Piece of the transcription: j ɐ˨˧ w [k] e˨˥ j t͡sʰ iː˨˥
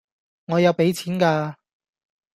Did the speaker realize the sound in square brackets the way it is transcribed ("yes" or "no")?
no